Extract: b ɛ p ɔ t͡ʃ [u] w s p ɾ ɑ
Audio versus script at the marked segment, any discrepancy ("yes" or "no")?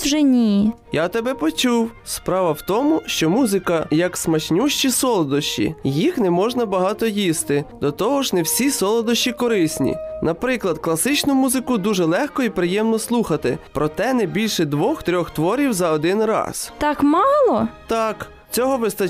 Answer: no